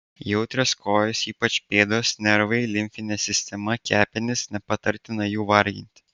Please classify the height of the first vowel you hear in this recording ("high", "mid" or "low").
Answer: mid